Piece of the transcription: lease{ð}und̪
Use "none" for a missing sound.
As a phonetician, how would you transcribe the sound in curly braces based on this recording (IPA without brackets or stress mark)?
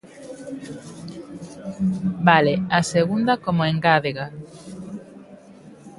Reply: ɣ